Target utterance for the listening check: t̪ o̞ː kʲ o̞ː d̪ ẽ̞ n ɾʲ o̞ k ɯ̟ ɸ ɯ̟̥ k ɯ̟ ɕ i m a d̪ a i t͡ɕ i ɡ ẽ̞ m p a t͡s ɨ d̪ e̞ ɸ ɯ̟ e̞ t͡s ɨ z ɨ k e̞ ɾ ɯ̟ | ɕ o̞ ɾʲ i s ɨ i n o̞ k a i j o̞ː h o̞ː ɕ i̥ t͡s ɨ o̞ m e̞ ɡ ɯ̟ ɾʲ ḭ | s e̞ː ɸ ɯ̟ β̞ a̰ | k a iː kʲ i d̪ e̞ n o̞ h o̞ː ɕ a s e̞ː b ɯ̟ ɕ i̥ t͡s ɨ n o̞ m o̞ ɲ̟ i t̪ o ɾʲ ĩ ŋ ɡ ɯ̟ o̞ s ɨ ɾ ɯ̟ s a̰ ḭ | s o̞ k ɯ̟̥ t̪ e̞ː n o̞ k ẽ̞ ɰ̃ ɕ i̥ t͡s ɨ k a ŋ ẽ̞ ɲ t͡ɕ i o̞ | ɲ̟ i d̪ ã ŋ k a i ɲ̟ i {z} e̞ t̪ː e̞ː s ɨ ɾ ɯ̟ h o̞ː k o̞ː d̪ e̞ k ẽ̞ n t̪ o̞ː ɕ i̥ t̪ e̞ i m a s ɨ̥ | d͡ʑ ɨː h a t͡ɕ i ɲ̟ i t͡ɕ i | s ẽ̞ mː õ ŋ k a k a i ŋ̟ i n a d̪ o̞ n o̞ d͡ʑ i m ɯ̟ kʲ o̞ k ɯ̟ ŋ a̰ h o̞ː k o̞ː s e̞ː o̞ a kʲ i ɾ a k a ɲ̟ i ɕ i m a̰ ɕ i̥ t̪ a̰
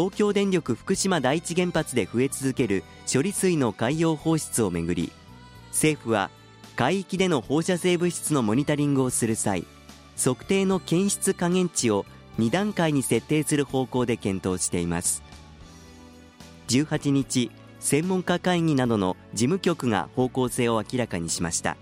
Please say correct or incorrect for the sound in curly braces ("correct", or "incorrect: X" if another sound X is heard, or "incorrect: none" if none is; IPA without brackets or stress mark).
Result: incorrect: s